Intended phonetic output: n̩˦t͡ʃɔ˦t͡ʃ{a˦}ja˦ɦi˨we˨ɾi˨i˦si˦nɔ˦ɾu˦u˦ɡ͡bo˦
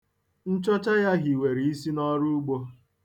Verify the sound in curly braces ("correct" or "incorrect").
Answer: correct